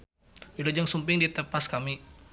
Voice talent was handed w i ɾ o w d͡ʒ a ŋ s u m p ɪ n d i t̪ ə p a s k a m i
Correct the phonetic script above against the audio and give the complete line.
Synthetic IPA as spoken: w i l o d͡ʒ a ŋ s u m p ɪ ŋ d i t̪ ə p a s k a m i

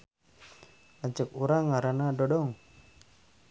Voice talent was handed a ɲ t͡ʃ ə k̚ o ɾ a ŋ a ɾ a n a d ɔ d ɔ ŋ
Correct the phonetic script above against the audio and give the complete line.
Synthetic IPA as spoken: a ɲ t͡ʃ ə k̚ u ɾ a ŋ a ɾ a n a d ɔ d ɔ ŋ

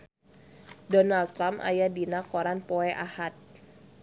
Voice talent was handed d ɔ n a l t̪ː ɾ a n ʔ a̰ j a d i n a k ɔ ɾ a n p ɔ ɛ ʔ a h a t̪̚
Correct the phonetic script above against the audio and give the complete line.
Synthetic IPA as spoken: d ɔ n a l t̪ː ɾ a m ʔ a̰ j a d i n a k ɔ ɾ a n p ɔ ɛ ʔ a h a t̪̚

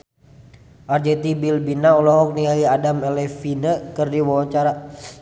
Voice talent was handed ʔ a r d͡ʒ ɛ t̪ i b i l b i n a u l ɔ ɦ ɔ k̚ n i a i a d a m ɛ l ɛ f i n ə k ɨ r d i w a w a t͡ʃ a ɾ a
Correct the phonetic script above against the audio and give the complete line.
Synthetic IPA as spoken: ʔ a r d͡ʒ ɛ t̪ i b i l b i n a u l ɔ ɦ ɔ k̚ n i a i a d a m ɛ l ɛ f i n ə k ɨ r d i w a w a t͡ʃ a ɾ a

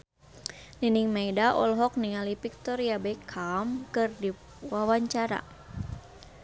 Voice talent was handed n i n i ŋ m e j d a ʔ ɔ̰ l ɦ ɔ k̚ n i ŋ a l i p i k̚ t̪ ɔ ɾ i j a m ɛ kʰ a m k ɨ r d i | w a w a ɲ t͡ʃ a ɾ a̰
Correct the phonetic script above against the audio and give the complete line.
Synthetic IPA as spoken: n i n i ŋ m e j d a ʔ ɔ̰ l ɦ ɔ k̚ n i ŋ a l i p i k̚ t̪ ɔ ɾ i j a b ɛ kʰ a m k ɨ r d i | w a w a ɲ t͡ʃ a ɾ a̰

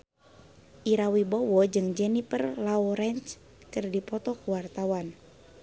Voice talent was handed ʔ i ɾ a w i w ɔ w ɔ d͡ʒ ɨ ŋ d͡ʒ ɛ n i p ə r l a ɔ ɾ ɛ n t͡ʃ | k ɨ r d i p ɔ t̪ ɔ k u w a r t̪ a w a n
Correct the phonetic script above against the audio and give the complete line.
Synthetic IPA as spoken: ʔ i ɾ a w i b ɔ w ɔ d͡ʒ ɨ ŋ d͡ʒ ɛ n i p ə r l a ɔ ɾ ɛ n t͡ʃ | k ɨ r d i p ɔ t̪ ɔ k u w a r t̪ a w a n

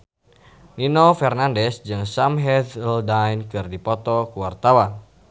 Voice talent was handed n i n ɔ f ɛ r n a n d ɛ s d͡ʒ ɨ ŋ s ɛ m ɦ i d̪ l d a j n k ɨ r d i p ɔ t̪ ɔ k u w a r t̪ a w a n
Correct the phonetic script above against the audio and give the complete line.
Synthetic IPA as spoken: n i n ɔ f ɛ r n a n d ɛ s d͡ʒ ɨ ŋ s a m ɦ ɛ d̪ l d a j n k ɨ r d i p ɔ t̪ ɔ k u w a r t̪ a w a n

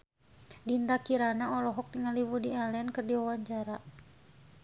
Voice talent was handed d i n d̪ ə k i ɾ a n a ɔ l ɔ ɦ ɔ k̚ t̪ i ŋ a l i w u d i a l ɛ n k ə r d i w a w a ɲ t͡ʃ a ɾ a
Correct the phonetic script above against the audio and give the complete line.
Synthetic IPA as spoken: d i n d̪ a k i ɾ a n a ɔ l ɔ ɦ ɔ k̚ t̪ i ŋ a l i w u d i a l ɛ n k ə r d i w a w a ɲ t͡ʃ a ɾ a

